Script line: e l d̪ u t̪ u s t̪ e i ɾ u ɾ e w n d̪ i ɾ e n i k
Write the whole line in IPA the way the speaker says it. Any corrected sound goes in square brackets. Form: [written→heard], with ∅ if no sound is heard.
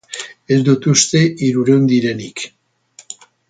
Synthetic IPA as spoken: e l d̪ u t̪ u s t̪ e i ɾ u ɾ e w n d̪ i ɾ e n i k